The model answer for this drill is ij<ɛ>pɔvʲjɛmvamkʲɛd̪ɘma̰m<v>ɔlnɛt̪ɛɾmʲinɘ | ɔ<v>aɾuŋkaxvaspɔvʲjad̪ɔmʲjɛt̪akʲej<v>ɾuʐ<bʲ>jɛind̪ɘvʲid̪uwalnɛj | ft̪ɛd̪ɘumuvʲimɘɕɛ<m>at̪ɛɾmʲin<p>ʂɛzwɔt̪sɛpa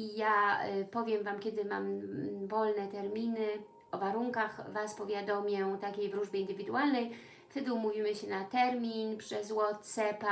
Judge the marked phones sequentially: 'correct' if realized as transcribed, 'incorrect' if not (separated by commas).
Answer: incorrect, correct, correct, correct, correct, incorrect, correct